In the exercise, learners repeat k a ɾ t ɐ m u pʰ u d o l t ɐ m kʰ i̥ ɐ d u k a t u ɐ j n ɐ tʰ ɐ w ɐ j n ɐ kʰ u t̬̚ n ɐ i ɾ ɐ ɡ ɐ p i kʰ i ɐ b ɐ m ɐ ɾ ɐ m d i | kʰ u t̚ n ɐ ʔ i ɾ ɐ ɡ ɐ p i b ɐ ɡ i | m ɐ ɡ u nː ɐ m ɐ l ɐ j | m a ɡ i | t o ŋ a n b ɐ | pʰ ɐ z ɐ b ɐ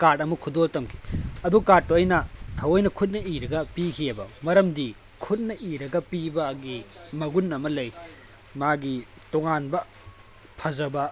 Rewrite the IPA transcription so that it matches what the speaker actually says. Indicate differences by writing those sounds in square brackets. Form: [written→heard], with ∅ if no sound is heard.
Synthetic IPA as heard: k a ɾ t ɐ m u [pʰ→kʰ] u d o l t ɐ m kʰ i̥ ɐ d u k a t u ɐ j n ɐ tʰ ɐ w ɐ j n ɐ kʰ u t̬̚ n ɐ i ɾ ɐ ɡ ɐ p i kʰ i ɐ b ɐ m ɐ ɾ ɐ m d i | kʰ u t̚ n ɐ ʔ i ɾ ɐ ɡ ɐ p i b ɐ ɡ i | m ɐ ɡ u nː ɐ m ɐ l ɐ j | m a ɡ i | t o ŋ a n b ɐ | pʰ ɐ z ɐ b ɐ